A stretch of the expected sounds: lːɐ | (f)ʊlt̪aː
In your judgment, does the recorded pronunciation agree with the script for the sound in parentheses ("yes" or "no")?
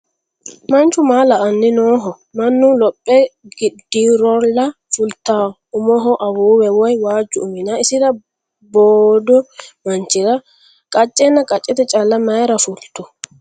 yes